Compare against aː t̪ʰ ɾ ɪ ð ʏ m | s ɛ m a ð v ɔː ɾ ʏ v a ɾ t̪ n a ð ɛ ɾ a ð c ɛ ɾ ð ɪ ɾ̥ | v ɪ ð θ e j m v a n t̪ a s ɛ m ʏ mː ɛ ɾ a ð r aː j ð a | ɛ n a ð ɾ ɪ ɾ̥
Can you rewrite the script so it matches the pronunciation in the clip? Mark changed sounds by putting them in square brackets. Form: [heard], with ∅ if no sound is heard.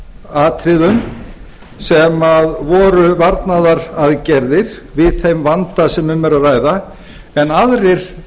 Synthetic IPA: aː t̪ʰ ɾ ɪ ð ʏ m | s ɛ m a ð v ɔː ɾ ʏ v a ɾ t̪ n a ð [a] ɾ a ð c ɛ ɾ ð ɪ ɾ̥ | v ɪ ð θ e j m v a n t̪ a s ɛ m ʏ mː ɛ ɾ a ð r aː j ð a | ɛ n a ð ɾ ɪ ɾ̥